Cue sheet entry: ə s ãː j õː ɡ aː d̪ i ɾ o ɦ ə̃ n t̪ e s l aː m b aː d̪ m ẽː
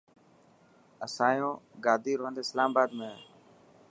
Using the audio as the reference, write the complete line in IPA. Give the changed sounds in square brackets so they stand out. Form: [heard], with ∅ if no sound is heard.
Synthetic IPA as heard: ə s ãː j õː ɡ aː d̪ [iː] ɾ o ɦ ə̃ n [d̪] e s l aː m b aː d̪ m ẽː